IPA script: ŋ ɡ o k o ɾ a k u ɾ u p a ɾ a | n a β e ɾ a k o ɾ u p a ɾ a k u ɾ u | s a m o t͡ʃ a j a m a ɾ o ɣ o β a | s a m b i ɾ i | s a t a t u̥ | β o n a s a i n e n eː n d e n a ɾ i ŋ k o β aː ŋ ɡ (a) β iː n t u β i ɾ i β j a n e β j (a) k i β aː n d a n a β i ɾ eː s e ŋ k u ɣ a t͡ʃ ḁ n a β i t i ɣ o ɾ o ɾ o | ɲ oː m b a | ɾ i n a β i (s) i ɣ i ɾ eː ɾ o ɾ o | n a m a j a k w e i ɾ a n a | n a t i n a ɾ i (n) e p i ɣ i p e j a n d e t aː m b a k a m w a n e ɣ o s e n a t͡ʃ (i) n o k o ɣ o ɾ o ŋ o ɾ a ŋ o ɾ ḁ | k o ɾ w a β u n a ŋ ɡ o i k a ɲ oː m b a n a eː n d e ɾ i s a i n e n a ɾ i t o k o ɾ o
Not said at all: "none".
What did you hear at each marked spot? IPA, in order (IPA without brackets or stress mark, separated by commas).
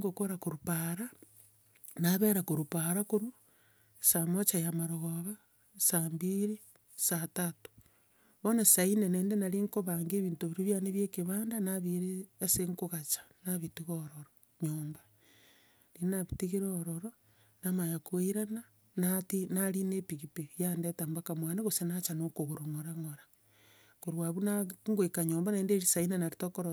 e, e, t, n, a